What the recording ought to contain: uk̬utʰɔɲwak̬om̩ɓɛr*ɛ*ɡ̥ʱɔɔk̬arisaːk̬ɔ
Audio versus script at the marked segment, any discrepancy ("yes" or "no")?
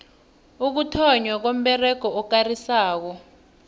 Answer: no